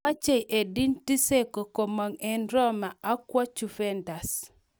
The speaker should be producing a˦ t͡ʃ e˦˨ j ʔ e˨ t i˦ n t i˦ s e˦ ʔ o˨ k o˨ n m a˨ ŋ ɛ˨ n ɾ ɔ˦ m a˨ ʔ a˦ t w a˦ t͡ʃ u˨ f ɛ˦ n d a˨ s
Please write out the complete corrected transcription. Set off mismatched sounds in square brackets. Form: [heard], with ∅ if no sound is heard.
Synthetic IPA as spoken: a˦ t͡ʃ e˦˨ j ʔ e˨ [d] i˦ n t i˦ s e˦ [k] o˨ k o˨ [∅] m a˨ ŋ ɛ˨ n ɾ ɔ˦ m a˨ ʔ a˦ [k] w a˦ t͡ʃ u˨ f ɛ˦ n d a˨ s